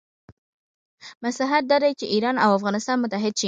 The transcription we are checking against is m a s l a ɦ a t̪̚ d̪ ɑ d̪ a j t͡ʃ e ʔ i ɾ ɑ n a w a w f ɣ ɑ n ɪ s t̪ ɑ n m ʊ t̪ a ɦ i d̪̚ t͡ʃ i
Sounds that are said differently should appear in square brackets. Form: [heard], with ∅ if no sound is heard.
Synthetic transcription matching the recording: m a s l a ɦ a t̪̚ d̪ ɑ d̪ a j t͡ʃ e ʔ i ɾ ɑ n a w a [∅] f ɣ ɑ n ɪ s t̪ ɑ n m ʊ t̪ a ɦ [ɪ] d̪̚ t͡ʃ i